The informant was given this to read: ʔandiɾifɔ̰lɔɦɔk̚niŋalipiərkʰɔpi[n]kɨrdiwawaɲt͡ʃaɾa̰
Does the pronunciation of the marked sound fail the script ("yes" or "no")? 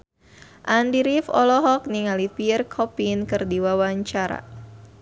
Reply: no